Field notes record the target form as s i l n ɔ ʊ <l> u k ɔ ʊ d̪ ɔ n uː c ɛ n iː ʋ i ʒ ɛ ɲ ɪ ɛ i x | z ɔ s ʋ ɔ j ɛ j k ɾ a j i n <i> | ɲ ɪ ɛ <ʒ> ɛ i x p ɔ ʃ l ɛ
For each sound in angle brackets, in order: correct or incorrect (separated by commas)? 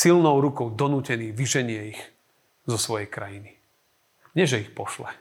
incorrect, correct, correct